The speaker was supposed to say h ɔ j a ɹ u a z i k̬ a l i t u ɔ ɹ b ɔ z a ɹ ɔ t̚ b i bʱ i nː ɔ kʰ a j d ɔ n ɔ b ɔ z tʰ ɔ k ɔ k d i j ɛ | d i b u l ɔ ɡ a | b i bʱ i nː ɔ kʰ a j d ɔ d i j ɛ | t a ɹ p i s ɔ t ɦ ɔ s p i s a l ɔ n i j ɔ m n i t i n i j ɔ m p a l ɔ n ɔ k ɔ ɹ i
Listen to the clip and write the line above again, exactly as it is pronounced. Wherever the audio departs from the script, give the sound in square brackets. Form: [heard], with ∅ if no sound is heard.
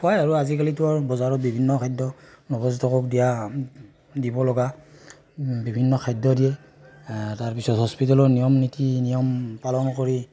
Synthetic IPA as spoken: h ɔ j a ɹ u a z i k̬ a l i t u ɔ ɹ b ɔ z a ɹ ɔ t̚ b i bʱ i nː ɔ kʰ a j d ɔ n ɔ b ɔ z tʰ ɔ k ɔ k d i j [a] | d i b [ɔ] l ɔ ɡ a | b i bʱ i nː ɔ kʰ a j d ɔ d i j ɛ | t a ɹ p i s ɔ t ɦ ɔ s p i [t] a l ɔ n i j ɔ m n i t i n i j ɔ m p a l ɔ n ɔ k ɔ ɹ i